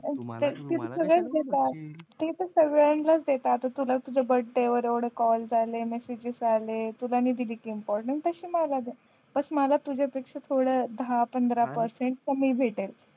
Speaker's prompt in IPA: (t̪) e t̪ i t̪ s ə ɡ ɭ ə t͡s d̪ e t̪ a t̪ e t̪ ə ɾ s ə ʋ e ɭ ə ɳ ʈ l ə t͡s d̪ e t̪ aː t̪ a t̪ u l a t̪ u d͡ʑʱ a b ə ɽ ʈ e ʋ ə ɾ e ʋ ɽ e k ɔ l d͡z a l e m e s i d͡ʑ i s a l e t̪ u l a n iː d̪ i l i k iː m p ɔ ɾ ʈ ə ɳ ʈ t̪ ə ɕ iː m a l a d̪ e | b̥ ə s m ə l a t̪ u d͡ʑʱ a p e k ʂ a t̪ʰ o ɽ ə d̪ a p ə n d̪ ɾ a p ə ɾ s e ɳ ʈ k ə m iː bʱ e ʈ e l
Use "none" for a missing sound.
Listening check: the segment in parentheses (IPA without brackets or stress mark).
t̪